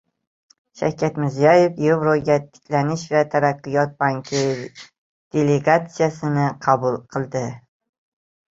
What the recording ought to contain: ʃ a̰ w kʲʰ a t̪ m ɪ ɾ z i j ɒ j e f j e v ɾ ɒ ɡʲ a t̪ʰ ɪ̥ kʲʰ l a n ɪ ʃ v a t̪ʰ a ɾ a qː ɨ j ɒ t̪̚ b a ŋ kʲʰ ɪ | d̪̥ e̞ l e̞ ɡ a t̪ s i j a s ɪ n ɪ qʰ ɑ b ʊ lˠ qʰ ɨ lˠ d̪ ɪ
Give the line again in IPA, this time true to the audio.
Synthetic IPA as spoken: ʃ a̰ w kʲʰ a t̪ m ɪ ɾ z i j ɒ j e f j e v ɾ o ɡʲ a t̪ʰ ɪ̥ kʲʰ l a n ɪ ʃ v a t̪ʰ a ɾ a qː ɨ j ɒ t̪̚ b a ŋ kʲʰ ɪ | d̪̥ e̞ l e̞ ɡ a t̪ s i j a s ɪ n ɪ qʰ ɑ b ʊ lˠ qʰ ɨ lˠ d̪ ɪ